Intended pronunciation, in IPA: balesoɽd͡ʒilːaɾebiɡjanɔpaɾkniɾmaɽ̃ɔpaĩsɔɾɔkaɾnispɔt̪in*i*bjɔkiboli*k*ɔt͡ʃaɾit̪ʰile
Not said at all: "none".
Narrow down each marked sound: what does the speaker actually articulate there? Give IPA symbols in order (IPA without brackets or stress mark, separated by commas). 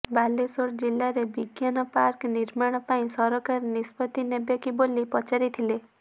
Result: e, p